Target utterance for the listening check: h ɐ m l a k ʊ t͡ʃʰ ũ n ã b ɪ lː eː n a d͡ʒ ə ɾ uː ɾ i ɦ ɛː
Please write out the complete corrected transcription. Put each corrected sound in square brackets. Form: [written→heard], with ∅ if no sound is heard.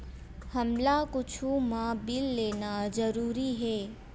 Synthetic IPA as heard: h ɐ m l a k ʊ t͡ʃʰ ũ [n→m] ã b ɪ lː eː n a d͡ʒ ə ɾ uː ɾ i ɦ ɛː